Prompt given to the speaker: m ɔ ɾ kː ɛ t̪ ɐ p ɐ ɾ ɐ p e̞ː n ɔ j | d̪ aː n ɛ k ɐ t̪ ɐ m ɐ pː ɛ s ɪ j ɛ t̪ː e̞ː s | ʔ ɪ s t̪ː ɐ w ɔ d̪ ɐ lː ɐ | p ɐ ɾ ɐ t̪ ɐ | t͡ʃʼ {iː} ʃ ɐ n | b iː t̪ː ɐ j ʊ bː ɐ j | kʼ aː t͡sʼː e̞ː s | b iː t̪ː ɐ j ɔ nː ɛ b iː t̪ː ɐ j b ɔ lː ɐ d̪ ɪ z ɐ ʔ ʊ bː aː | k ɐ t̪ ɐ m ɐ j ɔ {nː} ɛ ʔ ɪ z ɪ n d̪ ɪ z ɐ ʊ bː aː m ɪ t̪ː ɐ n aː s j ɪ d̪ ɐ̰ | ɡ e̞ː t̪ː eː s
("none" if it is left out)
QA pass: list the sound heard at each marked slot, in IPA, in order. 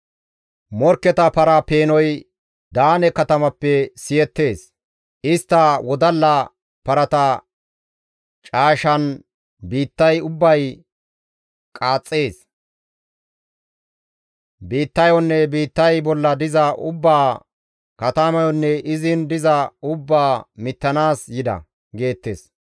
aː, nː

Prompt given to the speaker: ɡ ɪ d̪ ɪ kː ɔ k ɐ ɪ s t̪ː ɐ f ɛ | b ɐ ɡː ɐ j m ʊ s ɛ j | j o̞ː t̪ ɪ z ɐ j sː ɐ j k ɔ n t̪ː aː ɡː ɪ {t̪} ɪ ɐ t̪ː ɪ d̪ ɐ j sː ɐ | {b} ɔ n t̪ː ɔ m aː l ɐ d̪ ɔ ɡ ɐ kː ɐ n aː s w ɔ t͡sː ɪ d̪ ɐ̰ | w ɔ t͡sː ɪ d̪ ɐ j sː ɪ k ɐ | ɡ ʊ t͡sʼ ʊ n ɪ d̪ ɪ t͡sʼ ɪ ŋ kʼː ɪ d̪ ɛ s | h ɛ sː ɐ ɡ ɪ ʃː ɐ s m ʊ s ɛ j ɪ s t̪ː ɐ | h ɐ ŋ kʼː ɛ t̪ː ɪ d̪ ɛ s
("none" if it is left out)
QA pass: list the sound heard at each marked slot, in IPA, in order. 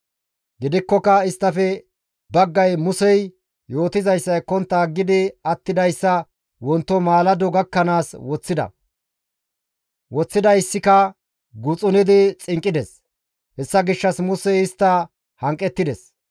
d̪, w

